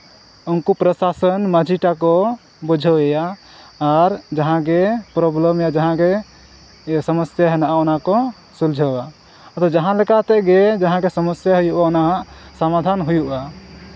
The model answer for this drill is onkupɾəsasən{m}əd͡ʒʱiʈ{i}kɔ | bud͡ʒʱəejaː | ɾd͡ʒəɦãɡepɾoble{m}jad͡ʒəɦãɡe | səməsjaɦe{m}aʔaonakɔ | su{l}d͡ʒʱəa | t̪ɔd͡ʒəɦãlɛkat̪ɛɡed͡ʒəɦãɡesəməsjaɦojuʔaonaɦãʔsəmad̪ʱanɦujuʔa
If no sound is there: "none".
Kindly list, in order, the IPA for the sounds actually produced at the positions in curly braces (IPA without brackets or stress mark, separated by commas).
m, a, m, n, l